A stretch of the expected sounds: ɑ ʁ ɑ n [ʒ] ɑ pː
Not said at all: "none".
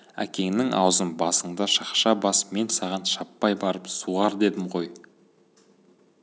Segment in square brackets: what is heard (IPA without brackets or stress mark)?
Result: ʃ